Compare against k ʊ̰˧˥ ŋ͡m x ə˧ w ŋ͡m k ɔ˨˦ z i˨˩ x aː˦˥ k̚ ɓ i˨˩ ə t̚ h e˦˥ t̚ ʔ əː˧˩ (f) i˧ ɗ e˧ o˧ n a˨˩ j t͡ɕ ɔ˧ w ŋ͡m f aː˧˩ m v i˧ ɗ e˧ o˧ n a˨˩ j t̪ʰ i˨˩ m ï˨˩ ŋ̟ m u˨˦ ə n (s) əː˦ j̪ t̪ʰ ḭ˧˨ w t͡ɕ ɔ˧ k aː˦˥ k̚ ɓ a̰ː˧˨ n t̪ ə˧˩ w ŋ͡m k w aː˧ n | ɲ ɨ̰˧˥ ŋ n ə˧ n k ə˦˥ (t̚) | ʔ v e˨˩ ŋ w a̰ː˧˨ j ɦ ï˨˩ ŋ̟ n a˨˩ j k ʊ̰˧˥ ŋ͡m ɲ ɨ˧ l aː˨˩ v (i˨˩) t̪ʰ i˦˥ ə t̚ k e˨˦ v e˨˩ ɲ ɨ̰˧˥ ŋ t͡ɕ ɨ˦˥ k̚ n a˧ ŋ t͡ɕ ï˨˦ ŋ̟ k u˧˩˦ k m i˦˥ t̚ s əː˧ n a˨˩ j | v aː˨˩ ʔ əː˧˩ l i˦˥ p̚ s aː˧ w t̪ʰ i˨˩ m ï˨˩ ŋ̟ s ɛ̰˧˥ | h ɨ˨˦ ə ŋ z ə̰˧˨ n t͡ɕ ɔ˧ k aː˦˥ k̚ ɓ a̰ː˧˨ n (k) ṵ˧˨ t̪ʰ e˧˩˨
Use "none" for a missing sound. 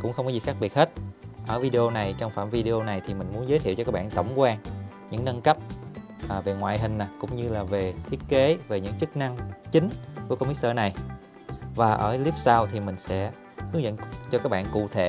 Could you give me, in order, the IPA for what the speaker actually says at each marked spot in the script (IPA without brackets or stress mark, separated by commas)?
v, z, p̚, e˨˩, k